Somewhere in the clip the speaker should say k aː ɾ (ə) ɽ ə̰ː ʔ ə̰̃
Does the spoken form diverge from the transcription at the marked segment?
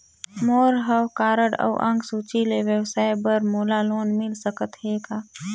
no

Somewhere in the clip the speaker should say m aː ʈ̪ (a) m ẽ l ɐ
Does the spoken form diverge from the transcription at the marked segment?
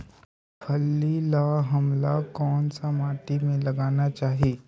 yes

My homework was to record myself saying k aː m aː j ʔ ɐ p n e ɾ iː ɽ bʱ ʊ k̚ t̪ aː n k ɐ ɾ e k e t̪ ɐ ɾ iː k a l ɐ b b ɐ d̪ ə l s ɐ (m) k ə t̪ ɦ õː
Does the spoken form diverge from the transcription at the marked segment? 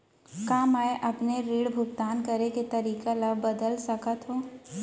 yes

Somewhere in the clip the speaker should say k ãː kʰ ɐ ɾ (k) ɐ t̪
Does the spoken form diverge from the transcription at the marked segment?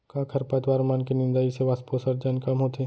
yes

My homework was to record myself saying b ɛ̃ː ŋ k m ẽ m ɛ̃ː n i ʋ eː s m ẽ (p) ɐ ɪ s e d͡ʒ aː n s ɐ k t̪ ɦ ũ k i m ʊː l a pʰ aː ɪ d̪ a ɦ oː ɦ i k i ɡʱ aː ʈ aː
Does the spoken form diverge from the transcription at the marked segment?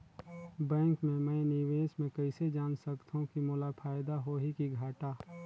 yes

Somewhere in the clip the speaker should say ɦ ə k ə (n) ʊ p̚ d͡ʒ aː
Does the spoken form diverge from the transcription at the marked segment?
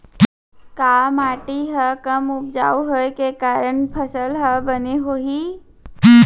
yes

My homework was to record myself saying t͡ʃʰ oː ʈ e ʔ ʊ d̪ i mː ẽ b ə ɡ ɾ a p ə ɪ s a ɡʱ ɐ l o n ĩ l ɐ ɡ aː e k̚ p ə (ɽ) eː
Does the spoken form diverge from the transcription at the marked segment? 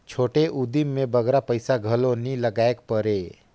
yes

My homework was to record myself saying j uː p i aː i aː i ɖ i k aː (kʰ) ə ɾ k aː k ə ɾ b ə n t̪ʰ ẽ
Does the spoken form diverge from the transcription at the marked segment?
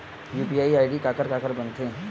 yes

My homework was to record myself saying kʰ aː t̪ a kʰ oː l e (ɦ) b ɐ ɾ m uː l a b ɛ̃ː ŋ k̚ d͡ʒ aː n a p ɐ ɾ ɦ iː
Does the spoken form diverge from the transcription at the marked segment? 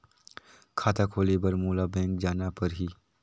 yes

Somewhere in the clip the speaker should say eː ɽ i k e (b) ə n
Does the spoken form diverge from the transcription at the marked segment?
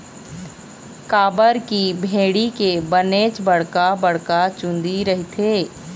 no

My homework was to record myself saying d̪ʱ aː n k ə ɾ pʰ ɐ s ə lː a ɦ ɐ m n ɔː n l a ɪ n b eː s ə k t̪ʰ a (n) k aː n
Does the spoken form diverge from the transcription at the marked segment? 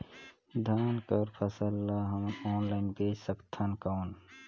no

